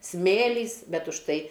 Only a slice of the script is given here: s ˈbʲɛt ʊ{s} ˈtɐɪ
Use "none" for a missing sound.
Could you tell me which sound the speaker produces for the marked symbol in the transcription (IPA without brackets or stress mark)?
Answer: ʃ